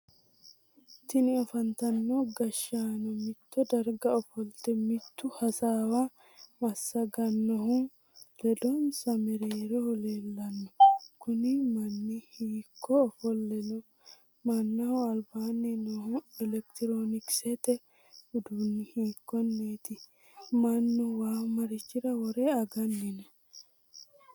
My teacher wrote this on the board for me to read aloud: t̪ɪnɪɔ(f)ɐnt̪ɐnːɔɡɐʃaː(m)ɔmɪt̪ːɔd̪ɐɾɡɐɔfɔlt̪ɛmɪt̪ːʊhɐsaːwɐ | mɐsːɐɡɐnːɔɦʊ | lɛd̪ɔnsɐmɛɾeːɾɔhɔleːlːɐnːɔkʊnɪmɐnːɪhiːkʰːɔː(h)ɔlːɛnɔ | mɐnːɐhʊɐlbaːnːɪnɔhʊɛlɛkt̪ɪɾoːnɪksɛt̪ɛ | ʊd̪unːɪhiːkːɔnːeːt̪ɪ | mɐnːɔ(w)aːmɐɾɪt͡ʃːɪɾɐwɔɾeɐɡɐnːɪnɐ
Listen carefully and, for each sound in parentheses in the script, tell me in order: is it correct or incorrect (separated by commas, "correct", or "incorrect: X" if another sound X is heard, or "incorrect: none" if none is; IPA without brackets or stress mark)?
correct, incorrect: n, incorrect: f, correct